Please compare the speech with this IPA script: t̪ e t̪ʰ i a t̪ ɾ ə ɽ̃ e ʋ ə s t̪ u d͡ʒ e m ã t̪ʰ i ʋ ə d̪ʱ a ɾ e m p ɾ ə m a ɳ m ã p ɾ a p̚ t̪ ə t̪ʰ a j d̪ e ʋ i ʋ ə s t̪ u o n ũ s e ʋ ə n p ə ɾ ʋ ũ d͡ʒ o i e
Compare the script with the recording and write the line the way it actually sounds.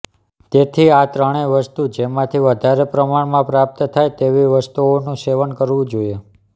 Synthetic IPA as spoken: t̪ e t̪ʰ i a t̪ ɾ ə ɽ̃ e ʋ ə s t̪ u d͡ʒ e m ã t̪ʰ i ʋ ə d̪ʱ a ɾ e p ɾ ə m a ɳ m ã p ɾ a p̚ t̪ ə t̪ʰ a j t̪ e ʋ i ʋ ə s t̪ u o n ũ s e ʋ ə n k ə ɾ ʋ ũ d͡ʒ o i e